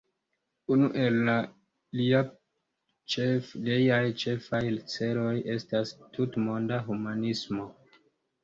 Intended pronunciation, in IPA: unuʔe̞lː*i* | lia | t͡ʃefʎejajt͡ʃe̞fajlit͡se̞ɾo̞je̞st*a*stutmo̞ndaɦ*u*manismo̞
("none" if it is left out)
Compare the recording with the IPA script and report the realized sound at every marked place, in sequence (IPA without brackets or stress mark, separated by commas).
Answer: a, a, u